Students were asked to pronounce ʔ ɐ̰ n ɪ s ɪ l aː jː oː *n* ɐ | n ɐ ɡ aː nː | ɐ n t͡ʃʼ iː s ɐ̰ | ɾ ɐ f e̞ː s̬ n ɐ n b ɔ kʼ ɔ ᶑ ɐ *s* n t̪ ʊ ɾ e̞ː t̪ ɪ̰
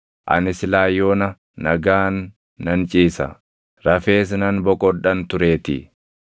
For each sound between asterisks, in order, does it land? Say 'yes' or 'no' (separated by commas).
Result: yes, no